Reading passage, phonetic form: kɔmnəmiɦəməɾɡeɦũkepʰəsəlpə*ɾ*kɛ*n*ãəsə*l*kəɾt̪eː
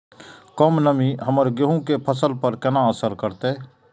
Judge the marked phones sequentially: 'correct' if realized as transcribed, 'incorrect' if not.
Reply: correct, correct, incorrect

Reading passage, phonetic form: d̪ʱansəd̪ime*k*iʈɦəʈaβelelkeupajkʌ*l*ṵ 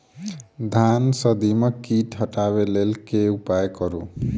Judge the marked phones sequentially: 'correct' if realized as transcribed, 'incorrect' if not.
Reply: correct, incorrect

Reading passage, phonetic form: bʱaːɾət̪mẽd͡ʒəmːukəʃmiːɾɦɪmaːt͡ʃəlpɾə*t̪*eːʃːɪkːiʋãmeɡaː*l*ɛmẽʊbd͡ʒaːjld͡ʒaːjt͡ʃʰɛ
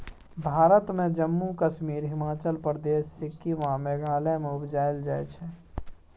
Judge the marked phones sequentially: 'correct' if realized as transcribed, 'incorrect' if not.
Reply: incorrect, correct

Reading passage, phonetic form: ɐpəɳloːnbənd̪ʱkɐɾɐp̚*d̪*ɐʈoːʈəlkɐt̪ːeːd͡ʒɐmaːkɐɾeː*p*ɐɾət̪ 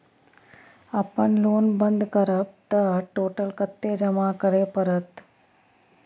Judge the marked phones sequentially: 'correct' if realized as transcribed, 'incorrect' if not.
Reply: incorrect, correct

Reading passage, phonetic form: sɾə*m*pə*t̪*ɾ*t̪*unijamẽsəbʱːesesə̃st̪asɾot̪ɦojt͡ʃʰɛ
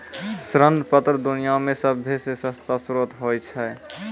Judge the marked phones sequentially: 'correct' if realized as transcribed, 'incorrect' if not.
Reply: incorrect, correct, incorrect

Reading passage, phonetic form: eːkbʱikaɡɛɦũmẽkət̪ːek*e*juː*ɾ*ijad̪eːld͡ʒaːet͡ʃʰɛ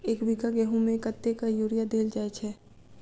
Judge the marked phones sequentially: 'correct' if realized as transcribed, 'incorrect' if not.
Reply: incorrect, correct

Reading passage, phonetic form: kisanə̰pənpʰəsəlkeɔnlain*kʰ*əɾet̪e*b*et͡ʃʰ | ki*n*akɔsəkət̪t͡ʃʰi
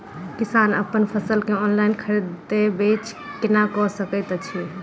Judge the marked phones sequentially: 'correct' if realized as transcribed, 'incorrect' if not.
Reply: correct, correct, correct

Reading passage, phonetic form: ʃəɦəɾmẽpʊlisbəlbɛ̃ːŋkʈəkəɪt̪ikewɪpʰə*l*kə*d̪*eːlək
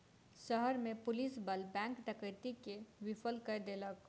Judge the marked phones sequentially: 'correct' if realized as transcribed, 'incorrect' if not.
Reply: correct, correct

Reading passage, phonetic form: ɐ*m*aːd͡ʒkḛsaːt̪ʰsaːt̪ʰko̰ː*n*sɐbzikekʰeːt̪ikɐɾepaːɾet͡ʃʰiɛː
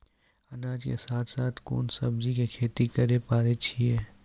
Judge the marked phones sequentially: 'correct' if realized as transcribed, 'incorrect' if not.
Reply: incorrect, correct

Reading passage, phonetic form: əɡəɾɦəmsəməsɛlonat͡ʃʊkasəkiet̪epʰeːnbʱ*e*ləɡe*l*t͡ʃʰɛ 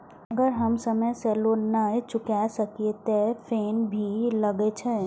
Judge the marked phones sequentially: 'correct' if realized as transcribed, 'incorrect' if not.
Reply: incorrect, incorrect

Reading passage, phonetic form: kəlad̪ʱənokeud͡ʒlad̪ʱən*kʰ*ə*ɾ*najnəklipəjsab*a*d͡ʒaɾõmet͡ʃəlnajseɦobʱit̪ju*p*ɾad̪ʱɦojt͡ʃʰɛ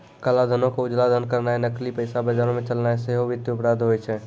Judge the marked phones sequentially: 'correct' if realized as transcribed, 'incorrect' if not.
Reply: incorrect, correct, incorrect, correct

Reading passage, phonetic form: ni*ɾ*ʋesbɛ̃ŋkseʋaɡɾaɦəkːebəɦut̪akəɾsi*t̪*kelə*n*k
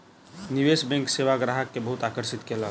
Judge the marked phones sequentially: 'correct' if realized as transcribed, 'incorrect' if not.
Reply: incorrect, correct, incorrect

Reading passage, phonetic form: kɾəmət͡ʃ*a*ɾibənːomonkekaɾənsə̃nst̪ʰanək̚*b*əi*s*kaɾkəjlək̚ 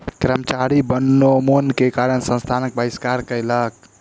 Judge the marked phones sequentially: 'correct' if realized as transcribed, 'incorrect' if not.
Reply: correct, correct, correct

